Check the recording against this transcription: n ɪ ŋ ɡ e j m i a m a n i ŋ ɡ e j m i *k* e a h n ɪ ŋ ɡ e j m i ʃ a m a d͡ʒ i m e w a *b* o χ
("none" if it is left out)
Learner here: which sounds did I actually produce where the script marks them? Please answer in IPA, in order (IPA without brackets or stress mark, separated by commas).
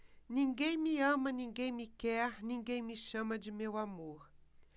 k, m